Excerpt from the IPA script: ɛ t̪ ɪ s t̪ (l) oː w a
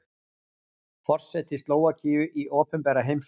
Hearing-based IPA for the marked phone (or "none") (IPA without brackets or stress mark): l